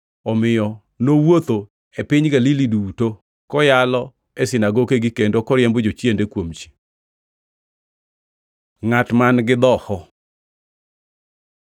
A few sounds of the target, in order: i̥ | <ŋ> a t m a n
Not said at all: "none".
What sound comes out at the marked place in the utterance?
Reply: ŋ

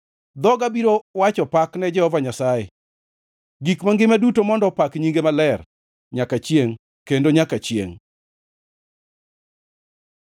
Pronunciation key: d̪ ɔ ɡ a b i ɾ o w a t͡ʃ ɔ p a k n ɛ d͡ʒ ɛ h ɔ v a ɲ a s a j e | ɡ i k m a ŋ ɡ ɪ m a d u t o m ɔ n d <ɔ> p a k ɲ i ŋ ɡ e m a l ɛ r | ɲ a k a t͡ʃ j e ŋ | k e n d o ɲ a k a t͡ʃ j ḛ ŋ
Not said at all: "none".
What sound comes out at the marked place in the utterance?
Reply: ɔ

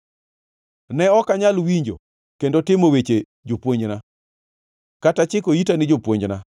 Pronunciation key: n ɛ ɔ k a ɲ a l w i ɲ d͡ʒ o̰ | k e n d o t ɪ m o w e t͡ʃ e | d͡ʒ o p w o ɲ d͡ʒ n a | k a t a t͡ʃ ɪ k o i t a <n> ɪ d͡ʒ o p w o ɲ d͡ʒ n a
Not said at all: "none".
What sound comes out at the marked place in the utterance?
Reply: n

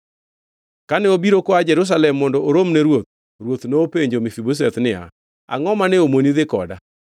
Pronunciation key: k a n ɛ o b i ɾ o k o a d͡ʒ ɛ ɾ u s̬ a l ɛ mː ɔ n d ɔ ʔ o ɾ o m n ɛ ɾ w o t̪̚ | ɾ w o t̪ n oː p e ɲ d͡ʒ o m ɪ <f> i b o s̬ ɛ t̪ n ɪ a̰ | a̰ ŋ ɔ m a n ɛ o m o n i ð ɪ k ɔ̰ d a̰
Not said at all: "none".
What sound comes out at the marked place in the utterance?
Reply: f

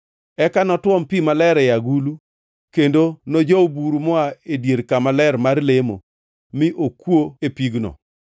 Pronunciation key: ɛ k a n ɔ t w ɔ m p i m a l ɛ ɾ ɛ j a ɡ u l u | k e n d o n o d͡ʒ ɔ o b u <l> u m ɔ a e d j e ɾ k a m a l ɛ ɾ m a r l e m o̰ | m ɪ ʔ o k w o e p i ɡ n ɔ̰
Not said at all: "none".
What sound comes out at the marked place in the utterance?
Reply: ɾ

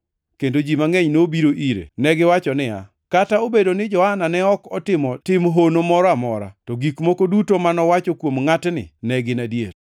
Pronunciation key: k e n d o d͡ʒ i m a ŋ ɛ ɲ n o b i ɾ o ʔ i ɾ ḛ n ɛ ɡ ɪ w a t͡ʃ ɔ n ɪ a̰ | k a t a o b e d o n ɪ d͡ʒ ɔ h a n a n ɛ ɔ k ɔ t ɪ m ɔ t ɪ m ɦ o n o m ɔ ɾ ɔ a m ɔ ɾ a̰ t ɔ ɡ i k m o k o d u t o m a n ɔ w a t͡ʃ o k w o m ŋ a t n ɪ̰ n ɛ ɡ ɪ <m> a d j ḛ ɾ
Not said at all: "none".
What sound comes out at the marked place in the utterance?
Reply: n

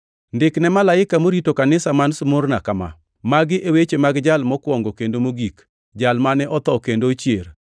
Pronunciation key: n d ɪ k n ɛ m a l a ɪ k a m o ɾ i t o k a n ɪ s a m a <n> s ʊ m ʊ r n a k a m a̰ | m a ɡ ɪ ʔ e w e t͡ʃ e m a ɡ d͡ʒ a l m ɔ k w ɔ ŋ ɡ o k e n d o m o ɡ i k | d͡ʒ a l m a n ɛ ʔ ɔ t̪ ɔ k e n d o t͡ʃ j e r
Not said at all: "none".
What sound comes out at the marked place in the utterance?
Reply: n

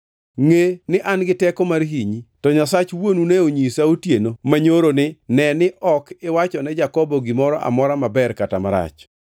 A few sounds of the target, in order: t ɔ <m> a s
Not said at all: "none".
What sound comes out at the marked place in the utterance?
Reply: ɲ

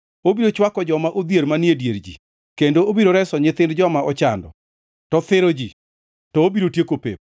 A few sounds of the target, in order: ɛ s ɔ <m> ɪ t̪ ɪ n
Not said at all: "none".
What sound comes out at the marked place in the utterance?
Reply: ɲ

